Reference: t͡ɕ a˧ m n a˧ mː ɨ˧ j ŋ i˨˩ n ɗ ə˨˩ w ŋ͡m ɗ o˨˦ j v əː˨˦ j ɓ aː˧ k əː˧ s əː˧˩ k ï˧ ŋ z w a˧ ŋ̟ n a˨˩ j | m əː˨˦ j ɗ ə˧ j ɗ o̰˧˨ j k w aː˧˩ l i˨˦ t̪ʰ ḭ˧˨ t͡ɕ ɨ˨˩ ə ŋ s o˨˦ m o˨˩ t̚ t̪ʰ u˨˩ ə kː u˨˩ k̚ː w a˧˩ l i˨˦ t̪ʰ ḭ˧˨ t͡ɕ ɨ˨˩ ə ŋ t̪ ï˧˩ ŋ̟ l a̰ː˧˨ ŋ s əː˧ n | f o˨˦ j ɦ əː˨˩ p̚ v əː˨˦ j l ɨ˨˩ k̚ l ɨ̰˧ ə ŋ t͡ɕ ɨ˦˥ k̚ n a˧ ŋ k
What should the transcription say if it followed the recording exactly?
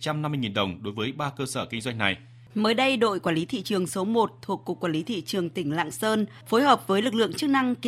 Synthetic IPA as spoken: t͡ɕ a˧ m n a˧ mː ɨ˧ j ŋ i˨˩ n ɗ ə˨˩ w ŋ͡m ɗ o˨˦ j v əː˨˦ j ɓ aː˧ k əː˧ s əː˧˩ k ï˧ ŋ z w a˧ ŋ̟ n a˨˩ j | m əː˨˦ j ɗ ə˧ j ɗ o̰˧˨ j k w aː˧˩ l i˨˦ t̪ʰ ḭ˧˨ t͡ɕ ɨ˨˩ ə ŋ s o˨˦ m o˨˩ t̚ t̪ʰ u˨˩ ə kː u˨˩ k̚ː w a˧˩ l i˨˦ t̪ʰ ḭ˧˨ t͡ɕ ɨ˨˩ ə ŋ t̪ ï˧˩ ŋ̟ l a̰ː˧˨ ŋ s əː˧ n | f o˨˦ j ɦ əː˨˩ p̚ v əː˨˦ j l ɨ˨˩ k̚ l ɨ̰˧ ə ŋ t͡ɕ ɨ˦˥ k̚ n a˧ ŋ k